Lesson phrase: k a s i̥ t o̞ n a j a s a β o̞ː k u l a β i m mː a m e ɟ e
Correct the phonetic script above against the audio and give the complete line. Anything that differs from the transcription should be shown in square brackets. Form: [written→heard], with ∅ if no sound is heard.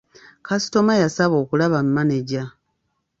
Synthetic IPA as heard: k a s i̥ t o̞ [n→m] a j a s a β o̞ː k u l a β [i→a] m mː a [m→n] e ɟ [e→a]